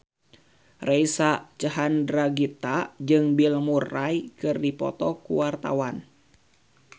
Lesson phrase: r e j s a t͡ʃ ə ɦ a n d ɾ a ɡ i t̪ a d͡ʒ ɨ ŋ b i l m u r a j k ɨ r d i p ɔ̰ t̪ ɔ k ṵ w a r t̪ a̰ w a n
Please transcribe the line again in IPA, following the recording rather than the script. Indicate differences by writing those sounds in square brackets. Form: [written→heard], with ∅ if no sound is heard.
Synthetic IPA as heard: r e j s a t͡ʃ ə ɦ a n d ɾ a ɡ i t̪ a d͡ʒ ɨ ŋ b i l m u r a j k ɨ r d i p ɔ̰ t̪ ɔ k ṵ w a r t̪ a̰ w a n